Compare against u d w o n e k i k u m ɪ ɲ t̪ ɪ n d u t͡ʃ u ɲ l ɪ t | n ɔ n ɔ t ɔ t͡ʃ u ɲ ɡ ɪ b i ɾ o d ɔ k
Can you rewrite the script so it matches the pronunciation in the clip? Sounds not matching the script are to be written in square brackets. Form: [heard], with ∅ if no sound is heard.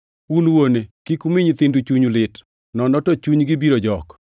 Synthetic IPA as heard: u [n] w o n e k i k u m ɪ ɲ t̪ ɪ n d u t͡ʃ u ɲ l ɪ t | n ɔ n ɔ t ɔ t͡ʃ u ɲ ɡ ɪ b i ɾ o [d͡ʒ] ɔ k